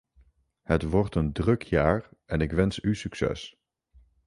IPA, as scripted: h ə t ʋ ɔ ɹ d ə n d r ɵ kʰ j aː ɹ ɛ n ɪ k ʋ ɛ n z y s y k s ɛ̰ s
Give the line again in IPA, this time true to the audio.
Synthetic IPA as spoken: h ə t ʋ ɔ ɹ t ə n d r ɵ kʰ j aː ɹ ɛ n ɪ k ʋ ɛ n s y s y k s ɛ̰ s